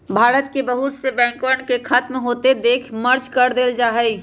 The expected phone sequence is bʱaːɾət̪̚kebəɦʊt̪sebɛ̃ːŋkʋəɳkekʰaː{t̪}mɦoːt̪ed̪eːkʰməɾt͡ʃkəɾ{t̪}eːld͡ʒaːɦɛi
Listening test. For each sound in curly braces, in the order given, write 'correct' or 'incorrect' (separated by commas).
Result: correct, incorrect